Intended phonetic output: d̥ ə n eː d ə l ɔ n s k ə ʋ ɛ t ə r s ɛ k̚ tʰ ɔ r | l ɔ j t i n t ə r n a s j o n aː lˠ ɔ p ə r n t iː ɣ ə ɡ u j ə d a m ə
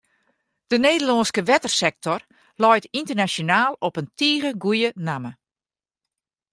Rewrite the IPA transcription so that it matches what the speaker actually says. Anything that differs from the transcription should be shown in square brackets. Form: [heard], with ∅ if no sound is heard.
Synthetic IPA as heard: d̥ ə n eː d ə l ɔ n s k ə ʋ ɛ t ə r s ɛ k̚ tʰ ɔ r | l ɔ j t i n t ə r n a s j o n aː lˠ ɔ p ə [∅] n t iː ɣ ə ɡ u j ə [n] a m ə